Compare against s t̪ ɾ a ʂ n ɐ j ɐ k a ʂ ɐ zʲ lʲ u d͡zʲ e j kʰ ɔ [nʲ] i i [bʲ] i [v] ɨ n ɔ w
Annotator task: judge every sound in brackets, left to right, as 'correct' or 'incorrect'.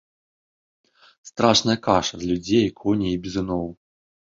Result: correct, correct, incorrect: z

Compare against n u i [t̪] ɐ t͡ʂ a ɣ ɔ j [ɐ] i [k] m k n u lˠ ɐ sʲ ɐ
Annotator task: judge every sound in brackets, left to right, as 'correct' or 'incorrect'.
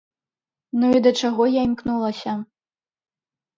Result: incorrect: d̪, incorrect: a, incorrect: none

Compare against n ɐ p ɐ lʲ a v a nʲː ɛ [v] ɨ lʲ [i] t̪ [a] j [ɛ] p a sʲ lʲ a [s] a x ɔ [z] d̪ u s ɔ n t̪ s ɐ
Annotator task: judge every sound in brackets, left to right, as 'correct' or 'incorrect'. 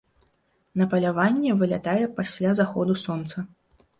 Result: correct, incorrect: a, correct, correct, incorrect: z, incorrect: none

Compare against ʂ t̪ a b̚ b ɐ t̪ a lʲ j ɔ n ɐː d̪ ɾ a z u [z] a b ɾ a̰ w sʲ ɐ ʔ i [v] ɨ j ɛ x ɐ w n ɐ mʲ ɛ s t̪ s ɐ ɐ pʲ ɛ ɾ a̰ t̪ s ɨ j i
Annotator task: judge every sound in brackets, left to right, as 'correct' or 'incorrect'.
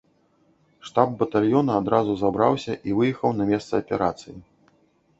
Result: correct, correct

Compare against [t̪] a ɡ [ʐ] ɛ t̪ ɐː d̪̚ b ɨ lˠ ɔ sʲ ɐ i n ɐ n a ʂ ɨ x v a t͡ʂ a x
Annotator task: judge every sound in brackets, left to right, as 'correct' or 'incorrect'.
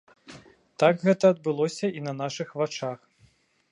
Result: correct, incorrect: ɣ

